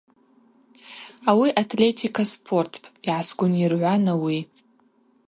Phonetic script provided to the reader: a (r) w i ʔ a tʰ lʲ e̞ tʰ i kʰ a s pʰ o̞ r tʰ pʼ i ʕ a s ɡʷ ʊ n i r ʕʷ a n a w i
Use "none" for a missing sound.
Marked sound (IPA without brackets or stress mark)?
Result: none